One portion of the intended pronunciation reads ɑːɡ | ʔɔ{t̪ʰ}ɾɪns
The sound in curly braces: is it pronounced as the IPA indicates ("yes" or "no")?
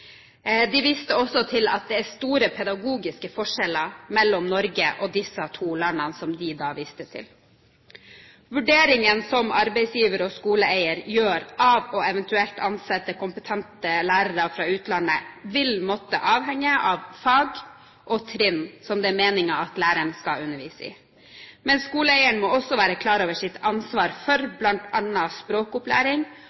yes